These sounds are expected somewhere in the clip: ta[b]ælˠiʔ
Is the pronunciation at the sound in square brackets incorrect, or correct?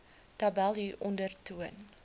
correct